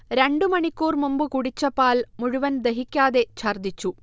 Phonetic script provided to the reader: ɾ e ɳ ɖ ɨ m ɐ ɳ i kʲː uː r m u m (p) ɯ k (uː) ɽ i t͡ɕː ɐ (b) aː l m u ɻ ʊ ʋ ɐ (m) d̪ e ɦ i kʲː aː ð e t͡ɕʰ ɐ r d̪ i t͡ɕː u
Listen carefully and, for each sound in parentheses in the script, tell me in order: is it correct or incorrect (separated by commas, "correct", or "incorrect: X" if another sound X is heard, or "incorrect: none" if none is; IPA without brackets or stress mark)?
incorrect: b, incorrect: u, incorrect: p, incorrect: n